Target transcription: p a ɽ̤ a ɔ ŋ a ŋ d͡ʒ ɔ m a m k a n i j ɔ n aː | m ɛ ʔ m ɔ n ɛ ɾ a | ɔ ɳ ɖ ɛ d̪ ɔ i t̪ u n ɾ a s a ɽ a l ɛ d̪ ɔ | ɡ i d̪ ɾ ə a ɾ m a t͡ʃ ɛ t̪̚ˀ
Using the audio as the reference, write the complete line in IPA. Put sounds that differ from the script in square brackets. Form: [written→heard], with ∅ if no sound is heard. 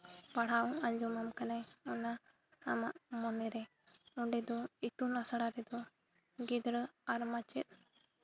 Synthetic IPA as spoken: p a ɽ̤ a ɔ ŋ a [ŋ→ɲ] d͡ʒ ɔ m a m k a n [i→a] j ɔ n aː | m [ɛ→a] ʔ m ɔ n ɛ ɾ [a→ɛ] | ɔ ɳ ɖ ɛ d̪ ɔ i t̪ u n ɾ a s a ɽ a [l→ɾ] ɛ d̪ ɔ | ɡ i d̪ ɾ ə a ɾ m a t͡ʃ ɛ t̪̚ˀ